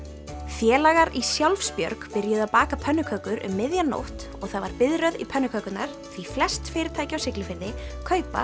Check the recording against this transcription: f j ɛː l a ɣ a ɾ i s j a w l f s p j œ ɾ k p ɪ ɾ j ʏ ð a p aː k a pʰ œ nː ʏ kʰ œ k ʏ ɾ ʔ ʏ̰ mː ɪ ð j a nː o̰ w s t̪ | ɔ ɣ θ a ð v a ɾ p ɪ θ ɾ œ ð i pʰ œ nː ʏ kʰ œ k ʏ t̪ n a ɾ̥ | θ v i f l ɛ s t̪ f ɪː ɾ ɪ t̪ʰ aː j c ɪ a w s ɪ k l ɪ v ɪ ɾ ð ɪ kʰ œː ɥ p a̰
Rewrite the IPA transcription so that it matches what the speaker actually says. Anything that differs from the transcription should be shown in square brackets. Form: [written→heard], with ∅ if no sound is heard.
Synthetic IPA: f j ɛː l a ɣ a ɾ i s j a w l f s p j œ ɾ k p ɪ ɾ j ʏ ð a p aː k a pʰ œ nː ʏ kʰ œ k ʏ ɾ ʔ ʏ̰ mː ɪ ð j a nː o̰ w [s→h] t̪ | ɔ ɣ θ a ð v a ɾ p ɪ [θ→ð] ɾ œ ð i pʰ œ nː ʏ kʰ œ k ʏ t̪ n a ɾ̥ | θ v i f l ɛ s t̪ f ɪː ɾ ɪ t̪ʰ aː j c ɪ a w s ɪ k l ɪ [v→f] ɪ ɾ ð ɪ kʰ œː ɥ p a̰